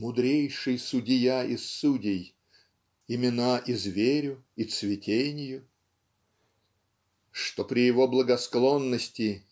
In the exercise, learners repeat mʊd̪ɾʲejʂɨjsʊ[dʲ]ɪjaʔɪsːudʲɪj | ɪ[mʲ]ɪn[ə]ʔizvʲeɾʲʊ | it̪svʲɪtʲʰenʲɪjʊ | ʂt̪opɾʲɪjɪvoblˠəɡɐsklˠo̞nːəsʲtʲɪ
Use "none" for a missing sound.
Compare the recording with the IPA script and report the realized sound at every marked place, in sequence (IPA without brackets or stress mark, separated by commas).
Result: dʲ, mʲ, a